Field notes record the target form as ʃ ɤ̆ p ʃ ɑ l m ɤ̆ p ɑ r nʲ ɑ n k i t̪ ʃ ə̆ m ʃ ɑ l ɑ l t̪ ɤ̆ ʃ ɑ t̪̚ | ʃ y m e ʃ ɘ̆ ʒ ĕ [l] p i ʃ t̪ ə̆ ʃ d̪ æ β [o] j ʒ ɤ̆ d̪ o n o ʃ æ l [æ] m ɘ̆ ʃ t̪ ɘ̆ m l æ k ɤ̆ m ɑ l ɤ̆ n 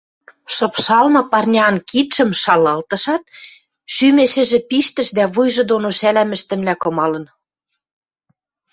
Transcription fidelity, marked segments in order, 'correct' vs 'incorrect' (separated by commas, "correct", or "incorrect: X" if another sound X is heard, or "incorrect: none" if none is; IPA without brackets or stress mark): incorrect: none, incorrect: u, correct